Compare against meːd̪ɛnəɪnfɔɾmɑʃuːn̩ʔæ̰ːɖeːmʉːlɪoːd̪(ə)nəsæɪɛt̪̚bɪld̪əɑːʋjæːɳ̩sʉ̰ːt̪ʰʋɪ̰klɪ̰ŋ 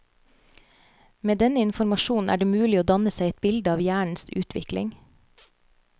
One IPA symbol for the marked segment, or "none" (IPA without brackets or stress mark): ɑ